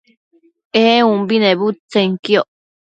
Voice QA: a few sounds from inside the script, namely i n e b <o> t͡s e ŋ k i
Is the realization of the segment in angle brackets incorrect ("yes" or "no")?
yes